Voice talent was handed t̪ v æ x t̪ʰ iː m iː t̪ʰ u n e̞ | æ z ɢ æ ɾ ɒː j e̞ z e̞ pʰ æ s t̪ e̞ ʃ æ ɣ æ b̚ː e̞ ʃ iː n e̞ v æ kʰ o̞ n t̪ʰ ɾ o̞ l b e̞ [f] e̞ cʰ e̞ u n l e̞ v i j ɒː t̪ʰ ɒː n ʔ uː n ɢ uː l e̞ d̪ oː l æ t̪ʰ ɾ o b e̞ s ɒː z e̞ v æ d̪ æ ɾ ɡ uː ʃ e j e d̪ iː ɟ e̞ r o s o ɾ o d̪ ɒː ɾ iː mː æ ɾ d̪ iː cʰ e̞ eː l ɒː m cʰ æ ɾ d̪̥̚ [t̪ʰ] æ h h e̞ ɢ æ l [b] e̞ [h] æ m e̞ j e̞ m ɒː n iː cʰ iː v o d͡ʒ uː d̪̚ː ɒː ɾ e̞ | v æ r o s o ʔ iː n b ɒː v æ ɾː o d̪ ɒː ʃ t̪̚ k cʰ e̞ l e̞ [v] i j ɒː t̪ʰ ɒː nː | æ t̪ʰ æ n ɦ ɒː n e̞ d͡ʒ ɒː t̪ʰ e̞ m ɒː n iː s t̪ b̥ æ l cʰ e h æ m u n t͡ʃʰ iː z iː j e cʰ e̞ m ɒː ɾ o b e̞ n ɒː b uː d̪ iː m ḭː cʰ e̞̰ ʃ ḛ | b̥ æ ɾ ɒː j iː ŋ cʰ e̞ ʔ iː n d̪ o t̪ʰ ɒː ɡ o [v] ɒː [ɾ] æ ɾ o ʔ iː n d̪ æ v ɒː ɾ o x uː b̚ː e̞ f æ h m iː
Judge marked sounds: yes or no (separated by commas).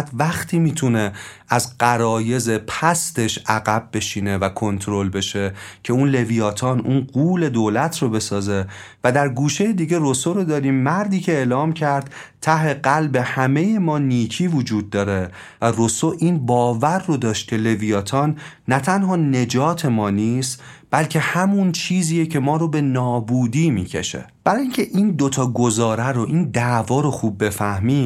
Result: no, yes, yes, yes, yes, no, yes